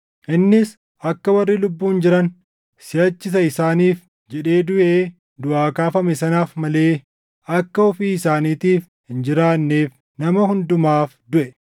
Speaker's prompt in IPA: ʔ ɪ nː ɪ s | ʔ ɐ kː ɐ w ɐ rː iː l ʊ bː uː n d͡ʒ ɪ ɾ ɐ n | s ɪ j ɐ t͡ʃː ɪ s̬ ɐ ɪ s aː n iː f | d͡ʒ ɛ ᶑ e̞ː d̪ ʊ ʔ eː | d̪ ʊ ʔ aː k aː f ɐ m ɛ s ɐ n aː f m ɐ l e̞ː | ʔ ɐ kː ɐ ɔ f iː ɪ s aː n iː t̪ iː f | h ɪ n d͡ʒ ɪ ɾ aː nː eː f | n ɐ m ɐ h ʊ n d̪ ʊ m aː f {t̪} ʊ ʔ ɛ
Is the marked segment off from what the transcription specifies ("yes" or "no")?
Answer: yes